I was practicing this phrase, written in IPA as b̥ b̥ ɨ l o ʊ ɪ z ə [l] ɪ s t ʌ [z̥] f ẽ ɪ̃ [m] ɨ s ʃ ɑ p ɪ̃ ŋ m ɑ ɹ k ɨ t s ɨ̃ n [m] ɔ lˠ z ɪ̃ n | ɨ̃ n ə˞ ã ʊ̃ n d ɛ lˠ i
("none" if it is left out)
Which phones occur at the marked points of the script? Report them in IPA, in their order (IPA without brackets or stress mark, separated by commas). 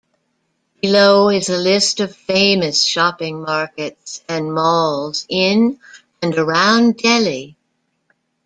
l, v̥, m, m